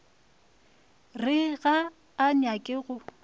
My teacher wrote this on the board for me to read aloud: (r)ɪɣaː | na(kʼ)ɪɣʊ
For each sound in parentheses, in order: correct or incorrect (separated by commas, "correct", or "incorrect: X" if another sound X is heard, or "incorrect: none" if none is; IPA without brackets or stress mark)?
correct, correct